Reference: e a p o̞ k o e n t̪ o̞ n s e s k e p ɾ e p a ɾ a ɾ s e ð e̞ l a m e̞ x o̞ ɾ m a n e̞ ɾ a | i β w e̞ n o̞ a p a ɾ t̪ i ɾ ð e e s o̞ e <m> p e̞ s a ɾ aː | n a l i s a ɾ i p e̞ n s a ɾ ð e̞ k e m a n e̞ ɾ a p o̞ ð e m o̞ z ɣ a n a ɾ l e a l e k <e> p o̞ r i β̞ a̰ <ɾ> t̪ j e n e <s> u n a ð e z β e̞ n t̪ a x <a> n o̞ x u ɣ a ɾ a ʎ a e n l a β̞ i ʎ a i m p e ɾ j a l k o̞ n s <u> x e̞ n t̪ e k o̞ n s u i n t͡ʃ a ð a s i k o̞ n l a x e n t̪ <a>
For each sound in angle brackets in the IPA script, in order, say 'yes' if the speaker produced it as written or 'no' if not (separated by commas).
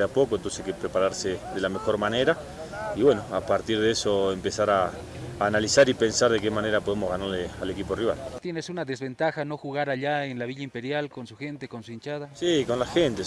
yes, no, no, yes, yes, yes, no